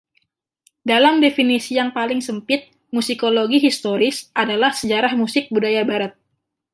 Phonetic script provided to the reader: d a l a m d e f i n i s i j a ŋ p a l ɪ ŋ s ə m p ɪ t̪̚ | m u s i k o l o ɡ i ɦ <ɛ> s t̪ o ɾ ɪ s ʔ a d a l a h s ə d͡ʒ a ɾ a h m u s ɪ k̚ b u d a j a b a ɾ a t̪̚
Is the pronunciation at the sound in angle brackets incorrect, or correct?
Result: incorrect: i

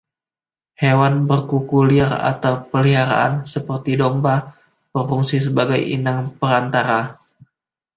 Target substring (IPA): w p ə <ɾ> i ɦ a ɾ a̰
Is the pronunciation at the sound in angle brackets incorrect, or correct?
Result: incorrect: l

